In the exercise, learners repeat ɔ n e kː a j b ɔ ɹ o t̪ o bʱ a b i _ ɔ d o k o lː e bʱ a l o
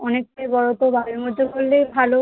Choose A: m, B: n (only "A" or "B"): A